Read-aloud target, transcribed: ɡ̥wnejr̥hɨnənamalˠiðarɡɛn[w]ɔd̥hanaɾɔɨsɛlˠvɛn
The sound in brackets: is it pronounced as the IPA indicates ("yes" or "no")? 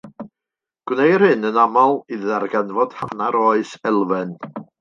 no